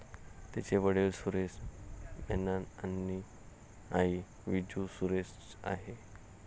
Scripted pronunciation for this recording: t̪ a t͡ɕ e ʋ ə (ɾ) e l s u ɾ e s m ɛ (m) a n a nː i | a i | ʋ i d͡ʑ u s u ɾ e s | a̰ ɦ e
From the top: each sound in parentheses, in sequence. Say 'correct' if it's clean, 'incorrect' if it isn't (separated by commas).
incorrect, incorrect